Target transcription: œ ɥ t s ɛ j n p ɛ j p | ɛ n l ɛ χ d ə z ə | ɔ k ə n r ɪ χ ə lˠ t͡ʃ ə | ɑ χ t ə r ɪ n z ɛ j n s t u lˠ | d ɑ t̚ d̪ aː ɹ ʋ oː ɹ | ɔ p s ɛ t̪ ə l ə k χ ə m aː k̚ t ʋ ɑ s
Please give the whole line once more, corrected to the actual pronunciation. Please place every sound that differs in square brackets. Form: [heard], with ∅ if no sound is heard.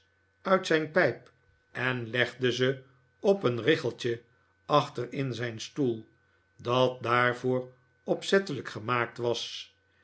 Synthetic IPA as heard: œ ɥ t s ɛ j n p ɛ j p | ɛ n l ɛ χ d ə z ə | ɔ [p] ə n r ɪ χ ə lˠ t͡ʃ ə | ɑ χ t ə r ɪ n z ɛ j n s t u lˠ | d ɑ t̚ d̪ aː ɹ [v] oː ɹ | ɔ p s ɛ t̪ ə l ə k χ ə m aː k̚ t ʋ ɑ s